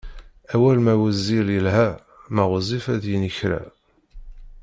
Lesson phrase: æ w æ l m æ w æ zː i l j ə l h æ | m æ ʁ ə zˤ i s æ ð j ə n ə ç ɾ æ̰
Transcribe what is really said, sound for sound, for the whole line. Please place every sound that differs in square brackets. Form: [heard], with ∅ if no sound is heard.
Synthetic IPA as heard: æ w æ l m æ w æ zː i l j ə l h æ | m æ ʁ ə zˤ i [f] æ ð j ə n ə ç ɾ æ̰